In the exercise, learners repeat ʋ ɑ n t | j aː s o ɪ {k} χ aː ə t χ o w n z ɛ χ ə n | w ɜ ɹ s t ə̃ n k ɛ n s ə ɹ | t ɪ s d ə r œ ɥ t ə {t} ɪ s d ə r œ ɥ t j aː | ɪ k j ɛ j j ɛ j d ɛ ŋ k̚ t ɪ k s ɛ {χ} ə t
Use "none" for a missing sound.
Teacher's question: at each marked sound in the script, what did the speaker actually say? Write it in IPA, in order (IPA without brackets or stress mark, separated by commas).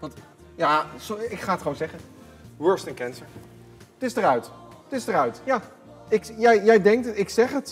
k, t, χ